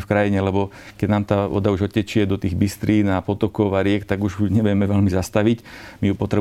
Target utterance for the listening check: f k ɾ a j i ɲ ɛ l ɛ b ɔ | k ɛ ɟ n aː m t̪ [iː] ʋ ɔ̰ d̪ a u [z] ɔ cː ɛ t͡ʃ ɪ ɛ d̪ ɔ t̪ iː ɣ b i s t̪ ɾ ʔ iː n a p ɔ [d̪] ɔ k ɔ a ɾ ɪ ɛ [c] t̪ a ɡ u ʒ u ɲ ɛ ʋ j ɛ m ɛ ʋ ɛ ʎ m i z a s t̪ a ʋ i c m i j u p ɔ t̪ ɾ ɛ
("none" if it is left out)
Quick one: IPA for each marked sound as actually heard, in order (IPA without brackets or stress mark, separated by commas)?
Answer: aː, ʒ, t̪, k